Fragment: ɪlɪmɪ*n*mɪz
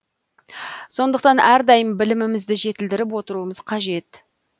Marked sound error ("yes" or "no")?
yes